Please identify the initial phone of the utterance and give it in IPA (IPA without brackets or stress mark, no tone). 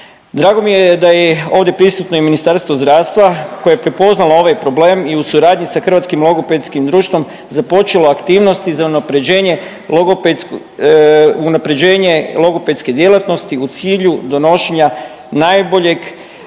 d̪